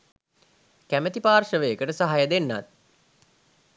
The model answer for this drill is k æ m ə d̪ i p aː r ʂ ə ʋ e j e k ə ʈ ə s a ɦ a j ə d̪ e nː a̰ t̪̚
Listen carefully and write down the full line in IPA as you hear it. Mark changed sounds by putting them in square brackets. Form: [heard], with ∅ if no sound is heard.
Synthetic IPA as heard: k æ m ə [t̪] i p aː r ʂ ə ʋ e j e k ə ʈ ə s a ɦ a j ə d̪ e nː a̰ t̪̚